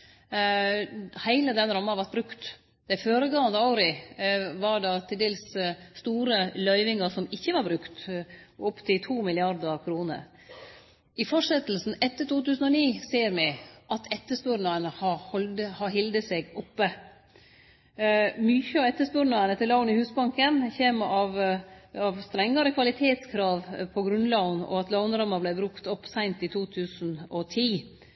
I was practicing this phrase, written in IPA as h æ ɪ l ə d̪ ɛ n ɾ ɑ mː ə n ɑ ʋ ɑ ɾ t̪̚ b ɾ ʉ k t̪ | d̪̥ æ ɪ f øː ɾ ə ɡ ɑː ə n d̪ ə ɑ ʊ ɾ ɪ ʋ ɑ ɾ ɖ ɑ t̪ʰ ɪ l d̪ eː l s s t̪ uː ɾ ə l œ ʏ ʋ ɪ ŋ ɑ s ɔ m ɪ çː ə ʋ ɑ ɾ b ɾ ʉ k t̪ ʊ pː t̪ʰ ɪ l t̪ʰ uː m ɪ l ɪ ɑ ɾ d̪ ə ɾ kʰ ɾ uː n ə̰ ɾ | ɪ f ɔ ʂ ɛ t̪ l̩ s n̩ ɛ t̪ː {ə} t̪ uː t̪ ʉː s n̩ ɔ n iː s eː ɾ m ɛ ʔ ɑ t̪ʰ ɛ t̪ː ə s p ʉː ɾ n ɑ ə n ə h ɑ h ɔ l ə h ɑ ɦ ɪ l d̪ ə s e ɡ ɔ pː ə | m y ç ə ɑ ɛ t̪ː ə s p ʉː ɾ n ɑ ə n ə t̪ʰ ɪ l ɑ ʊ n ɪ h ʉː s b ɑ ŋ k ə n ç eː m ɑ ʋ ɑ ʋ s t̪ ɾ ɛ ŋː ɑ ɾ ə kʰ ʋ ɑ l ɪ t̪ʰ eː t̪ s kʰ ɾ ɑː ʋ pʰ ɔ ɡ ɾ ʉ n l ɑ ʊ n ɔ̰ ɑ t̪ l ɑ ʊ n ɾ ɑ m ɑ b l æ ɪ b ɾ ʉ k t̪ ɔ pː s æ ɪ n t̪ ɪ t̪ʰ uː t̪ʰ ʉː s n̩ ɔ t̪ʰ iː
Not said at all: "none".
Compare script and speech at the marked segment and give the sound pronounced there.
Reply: ə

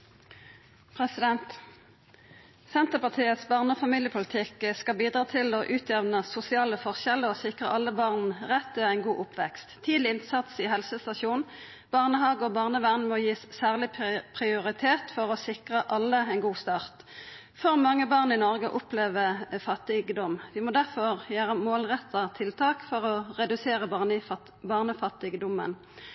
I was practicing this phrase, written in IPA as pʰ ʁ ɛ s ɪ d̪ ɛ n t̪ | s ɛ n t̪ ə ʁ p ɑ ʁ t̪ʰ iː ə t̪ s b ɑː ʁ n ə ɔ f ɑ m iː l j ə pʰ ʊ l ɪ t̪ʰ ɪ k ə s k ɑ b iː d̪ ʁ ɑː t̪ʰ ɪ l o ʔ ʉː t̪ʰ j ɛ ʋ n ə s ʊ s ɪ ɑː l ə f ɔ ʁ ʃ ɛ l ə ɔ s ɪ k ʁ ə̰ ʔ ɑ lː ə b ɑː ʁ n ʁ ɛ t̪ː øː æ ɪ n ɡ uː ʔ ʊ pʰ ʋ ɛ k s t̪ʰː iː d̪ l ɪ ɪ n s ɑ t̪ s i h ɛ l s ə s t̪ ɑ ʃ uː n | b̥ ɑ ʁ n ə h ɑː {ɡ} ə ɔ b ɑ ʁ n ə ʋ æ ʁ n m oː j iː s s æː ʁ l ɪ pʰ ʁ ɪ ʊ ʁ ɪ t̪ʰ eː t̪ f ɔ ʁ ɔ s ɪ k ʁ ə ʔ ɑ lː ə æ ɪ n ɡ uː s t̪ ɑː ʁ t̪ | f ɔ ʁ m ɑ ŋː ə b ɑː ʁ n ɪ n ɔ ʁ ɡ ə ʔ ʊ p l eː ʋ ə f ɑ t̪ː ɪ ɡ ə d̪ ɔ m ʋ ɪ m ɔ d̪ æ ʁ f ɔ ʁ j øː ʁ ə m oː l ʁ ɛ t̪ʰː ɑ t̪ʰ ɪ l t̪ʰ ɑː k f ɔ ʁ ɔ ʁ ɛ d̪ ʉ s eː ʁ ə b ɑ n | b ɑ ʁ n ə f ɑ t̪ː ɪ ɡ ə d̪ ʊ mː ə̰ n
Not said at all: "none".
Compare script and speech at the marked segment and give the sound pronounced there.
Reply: ɡ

